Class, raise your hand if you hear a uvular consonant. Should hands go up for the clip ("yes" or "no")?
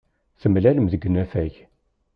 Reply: no